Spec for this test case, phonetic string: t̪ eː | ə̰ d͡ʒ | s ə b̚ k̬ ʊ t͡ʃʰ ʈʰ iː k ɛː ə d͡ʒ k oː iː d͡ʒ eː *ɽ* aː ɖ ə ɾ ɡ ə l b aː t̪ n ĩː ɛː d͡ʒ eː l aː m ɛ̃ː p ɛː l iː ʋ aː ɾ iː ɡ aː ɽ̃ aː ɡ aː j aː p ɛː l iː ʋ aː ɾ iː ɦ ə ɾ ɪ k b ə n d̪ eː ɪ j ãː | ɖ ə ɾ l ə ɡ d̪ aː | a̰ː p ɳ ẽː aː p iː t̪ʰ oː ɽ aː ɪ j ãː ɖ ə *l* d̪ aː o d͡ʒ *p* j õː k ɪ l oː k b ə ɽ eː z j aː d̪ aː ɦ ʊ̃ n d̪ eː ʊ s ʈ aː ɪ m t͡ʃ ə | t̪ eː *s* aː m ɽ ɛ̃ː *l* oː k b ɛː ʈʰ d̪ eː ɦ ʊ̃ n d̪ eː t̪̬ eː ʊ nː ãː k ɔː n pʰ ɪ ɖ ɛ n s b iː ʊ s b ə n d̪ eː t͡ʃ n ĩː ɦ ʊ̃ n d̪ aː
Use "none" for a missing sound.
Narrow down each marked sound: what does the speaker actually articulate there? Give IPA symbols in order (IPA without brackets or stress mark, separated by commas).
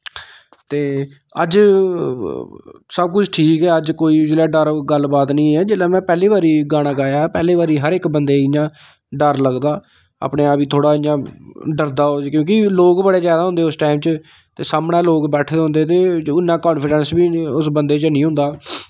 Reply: l, ɾ, k, s, l